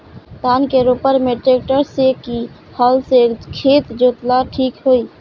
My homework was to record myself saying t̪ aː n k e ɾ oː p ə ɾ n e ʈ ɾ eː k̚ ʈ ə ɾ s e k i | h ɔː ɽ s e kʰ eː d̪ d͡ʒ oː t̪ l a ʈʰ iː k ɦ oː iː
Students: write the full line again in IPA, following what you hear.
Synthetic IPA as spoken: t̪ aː n k e ɾ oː p ə ɾ m e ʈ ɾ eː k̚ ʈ ə ɾ s e k i | h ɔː l s e kʰ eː t̪ d͡ʒ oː t̪ l a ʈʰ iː k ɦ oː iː